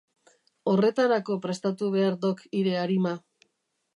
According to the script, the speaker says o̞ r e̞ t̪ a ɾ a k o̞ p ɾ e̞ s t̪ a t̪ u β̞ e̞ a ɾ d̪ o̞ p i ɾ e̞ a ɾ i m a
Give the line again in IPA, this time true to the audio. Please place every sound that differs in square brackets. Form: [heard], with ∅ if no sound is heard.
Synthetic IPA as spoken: o̞ r e̞ t̪ a ɾ a k o̞ p ɾ e̞ s t̪ a t̪ u β̞ e̞ a ɾ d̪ o̞ [k] i ɾ e̞ a ɾ i m a